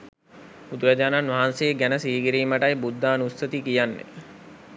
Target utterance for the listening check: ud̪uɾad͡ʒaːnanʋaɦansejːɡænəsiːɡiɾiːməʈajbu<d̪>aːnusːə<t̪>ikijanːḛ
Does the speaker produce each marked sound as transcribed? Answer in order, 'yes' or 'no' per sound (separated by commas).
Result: no, yes